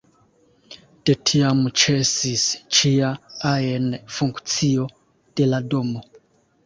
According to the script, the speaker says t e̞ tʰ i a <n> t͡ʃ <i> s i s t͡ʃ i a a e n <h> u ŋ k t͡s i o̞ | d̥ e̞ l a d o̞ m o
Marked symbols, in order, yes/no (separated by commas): no, no, no